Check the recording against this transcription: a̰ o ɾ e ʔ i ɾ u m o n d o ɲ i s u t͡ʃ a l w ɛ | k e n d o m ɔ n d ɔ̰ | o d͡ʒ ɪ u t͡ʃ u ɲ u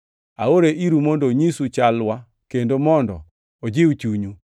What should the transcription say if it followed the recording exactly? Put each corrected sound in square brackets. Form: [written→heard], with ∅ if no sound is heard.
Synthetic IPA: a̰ o ɾ e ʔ i ɾ u m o n d o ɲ i s u t͡ʃ a l w [ɛ→a] | k e n d o m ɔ n d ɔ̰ | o d͡ʒ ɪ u t͡ʃ u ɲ u